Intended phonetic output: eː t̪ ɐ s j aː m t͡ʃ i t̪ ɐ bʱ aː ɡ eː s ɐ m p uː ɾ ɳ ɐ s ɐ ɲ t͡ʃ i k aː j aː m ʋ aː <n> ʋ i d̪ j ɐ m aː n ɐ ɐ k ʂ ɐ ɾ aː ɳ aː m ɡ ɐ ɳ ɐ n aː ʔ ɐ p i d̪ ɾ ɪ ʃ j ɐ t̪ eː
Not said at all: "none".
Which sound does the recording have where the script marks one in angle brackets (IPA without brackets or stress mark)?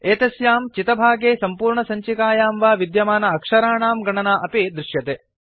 none